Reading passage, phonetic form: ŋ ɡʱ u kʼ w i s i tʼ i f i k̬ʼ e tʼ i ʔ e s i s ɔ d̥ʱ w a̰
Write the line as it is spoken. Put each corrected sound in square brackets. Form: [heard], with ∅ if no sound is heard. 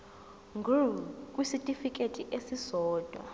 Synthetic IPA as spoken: ŋ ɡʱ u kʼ w i s i tʼ i f i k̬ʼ e tʼ i ʔ e s i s [ɔː] d̥ʱ w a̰

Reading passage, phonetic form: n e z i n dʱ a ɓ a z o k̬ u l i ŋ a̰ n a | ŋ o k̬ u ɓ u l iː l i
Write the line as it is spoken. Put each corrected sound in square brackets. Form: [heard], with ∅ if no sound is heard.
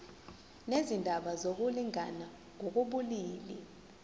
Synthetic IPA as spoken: n e z i n dʱ a ɓ a z o k̬ u l i ŋ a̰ n a | ŋ o k̬ u ɓ u l iː l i

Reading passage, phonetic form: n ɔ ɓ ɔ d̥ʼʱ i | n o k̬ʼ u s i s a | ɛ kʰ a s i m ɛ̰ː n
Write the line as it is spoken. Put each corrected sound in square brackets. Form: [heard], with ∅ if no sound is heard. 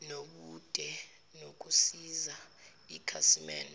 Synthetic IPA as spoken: n [o] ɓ [u] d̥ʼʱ [ɛ] | n o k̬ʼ u s i [z] a | [i] kʰ a s i m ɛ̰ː n

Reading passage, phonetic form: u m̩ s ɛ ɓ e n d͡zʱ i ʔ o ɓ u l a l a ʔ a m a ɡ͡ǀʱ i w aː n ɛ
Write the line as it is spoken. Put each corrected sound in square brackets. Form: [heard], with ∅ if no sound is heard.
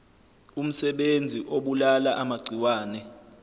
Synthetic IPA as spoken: u m̩ s ɛ ɓ e n d͡zʱ i ʔ o ɓ u l a l a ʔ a m a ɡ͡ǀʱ i w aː n ɛ

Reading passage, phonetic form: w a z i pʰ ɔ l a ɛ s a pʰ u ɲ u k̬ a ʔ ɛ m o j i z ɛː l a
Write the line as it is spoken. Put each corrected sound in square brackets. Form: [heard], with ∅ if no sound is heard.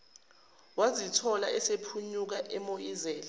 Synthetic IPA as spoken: w a z i [tʰ] ɔ l a ɛ s [e] pʰ u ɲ u k̬ a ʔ ɛ m o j i z ɛː l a

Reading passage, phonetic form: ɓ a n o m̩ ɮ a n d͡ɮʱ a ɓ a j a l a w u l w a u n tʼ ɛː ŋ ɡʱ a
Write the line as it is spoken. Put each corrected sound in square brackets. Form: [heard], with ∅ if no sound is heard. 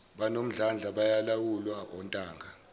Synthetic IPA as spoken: ɓ a n o m̩ ɮ a n d͡ɮʱ a ɓ a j a l a w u l w a [ɔ] n tʼ [aː] ŋ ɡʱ a

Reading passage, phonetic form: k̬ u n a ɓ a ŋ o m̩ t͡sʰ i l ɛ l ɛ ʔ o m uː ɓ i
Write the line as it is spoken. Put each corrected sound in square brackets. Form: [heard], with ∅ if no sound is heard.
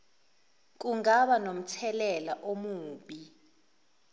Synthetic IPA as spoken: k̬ u [ŋ] a ɓ a [n] o m̩ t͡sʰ [ɛ] l ɛ l [a] ʔ o m uː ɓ i

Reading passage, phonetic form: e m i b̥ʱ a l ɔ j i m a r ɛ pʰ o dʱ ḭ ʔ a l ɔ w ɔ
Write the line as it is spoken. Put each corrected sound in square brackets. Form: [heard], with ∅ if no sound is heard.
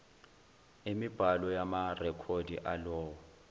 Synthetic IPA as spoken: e m i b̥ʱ a l ɔ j [a] m a r ɛ [kʰ] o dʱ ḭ ʔ a l [ɔː] w ɔ

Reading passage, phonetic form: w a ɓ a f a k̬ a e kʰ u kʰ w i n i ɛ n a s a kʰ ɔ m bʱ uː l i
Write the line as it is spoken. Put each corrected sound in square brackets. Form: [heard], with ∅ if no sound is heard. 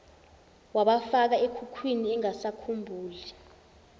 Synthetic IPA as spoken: w a ɓ a f a k̬ a e kʰ u kʰ w i n i ɛ [ŋ] a s a kʰ [u] m bʱ uː l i

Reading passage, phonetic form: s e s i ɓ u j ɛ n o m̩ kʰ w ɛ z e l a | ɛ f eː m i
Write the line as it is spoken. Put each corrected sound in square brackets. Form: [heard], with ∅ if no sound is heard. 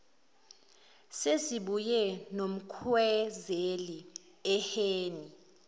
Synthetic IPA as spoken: s e s i ɓ u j ɛ n o m̩ kʰ w ɛ z e l [i] | ɛ [h] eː [n] i

